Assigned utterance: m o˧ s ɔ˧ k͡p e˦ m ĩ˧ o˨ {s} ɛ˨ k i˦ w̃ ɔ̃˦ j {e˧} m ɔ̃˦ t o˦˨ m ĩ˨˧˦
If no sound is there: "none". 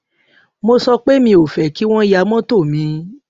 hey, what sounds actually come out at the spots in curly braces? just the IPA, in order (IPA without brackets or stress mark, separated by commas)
f, a˧